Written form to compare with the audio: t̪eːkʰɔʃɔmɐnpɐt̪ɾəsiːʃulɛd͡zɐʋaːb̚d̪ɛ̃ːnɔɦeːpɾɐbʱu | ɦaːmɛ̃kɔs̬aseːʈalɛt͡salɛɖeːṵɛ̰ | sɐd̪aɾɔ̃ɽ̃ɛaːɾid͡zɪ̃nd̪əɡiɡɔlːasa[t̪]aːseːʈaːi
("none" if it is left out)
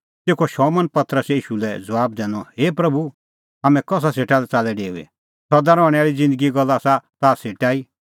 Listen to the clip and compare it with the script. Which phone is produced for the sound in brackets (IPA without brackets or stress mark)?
t̪